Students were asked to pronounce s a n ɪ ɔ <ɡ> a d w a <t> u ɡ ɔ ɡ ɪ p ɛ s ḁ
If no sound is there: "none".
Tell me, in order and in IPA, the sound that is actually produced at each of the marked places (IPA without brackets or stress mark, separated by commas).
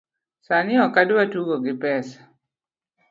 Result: k, t